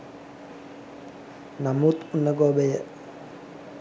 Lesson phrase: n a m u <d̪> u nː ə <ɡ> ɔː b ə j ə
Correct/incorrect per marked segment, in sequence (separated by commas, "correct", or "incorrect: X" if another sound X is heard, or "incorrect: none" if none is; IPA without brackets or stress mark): incorrect: t̪, correct